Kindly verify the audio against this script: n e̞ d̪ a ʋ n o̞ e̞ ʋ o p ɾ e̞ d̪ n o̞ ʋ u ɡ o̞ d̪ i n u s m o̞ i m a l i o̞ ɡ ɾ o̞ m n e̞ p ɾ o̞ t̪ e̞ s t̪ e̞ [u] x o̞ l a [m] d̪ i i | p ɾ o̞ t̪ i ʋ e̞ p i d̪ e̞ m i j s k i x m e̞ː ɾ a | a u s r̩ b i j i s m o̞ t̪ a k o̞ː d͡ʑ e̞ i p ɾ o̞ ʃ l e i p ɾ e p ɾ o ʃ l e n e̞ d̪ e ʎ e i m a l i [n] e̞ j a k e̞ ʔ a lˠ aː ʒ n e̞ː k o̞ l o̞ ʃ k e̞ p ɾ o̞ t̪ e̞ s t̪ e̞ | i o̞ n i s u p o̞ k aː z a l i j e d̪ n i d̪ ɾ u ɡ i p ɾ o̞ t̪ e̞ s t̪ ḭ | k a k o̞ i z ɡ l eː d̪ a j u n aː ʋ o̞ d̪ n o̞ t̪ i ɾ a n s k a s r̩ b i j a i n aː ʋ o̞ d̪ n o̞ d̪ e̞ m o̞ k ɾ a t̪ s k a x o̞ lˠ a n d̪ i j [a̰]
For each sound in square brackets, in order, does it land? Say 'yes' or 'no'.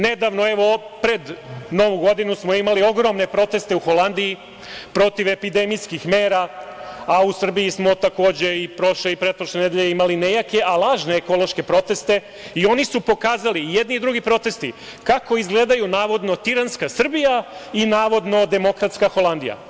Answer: yes, no, yes, yes

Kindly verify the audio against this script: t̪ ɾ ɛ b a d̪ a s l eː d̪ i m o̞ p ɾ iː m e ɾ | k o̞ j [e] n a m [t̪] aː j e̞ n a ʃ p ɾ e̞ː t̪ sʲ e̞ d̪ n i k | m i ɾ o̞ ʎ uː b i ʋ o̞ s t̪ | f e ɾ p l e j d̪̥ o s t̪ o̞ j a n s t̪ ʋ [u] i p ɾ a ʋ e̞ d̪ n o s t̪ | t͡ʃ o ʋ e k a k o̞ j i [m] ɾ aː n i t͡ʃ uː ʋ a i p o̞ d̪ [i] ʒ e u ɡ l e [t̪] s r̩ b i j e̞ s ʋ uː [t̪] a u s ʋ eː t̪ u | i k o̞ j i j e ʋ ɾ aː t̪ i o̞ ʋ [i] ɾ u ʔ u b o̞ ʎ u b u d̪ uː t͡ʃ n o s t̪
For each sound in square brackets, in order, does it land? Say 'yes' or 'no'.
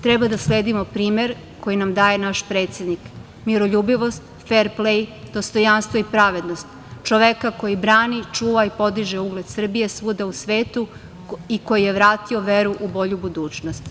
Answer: no, no, no, no, yes, no, no, no

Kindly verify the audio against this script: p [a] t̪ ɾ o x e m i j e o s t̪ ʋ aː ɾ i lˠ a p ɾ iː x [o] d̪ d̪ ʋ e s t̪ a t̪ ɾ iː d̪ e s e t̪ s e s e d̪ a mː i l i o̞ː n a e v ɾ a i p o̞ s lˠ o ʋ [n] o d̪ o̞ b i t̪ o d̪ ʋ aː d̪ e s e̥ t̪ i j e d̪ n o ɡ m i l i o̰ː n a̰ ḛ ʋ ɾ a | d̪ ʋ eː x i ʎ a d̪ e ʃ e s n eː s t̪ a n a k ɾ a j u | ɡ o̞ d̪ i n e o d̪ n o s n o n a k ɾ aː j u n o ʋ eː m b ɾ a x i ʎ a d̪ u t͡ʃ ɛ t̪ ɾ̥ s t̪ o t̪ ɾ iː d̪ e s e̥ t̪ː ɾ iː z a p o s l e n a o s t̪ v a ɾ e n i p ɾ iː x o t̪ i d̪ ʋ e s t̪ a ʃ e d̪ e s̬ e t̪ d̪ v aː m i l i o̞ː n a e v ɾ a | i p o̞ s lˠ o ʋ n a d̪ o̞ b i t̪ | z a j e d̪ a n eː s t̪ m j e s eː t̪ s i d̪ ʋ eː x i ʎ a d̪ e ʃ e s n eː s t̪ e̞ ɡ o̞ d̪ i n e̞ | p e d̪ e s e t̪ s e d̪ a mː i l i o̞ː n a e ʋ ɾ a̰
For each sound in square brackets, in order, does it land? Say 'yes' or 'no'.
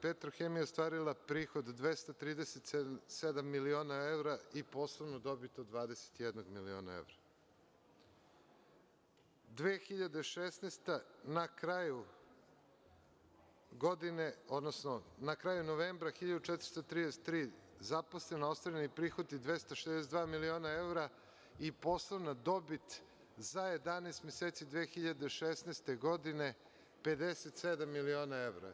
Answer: no, yes, yes

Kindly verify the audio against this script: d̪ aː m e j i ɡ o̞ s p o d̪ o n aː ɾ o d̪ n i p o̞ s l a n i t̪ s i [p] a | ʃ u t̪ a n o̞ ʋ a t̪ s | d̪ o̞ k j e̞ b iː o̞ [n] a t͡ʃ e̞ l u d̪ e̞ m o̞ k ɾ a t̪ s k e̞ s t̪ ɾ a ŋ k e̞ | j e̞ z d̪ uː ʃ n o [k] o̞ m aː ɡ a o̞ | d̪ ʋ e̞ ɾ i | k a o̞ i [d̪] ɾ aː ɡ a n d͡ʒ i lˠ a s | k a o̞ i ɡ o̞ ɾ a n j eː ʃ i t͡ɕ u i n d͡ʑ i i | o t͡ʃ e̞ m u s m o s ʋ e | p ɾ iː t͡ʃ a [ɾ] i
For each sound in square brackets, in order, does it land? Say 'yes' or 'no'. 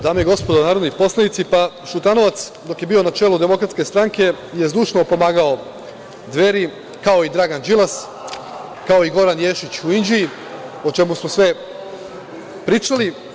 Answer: yes, yes, no, yes, no

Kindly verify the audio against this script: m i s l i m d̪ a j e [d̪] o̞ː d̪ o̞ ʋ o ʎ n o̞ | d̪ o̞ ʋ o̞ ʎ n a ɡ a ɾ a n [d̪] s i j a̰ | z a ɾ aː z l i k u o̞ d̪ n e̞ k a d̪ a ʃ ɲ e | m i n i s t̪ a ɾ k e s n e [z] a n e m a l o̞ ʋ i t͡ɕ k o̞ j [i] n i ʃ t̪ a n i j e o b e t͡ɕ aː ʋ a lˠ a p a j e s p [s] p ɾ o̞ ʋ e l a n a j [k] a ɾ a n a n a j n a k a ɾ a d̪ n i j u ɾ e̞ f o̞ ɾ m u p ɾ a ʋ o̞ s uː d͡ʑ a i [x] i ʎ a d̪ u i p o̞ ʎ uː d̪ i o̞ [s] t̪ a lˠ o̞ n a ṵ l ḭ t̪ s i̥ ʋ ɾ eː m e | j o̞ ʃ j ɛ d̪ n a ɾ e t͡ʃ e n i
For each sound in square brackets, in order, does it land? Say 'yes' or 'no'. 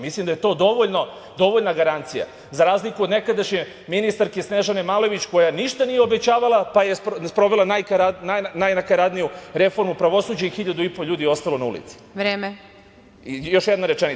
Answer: no, no, no, no, yes, yes, yes, yes

